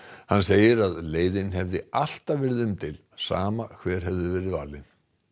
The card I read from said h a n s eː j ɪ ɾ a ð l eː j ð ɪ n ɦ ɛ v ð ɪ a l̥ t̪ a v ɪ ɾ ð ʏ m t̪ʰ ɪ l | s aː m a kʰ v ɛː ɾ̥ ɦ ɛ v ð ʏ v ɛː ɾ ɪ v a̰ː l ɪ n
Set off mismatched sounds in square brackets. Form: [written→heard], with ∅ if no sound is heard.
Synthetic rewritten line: h a n s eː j ɪ ɾ a ð l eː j ð ɪ n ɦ ɛ v ð ɪ a l̥ t̪ a v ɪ ɾ ð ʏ m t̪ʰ ɪ l | s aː m a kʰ v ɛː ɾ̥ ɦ ɛ v ð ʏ v ɛː ɾ ɪ v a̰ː l ɪ n